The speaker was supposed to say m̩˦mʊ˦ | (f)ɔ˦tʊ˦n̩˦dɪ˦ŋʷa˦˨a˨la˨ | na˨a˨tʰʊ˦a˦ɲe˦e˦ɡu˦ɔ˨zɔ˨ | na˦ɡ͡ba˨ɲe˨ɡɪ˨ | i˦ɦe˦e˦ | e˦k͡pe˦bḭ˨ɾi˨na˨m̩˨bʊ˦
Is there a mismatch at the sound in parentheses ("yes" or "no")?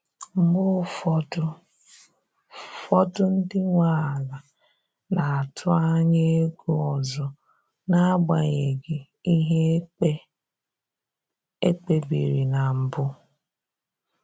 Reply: no